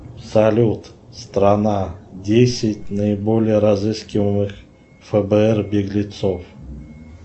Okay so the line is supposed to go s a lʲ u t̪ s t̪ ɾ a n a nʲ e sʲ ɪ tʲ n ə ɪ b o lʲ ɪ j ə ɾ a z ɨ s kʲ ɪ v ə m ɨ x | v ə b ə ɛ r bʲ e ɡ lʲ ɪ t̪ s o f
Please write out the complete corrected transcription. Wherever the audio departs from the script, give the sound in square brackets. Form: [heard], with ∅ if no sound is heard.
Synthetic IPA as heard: s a lʲ u t̪ s t̪ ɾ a n a [dʲ] e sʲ ɪ tʲ n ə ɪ b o lʲ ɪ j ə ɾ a z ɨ s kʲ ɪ v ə m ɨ x | [f] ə b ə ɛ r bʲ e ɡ lʲ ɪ t̪ s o f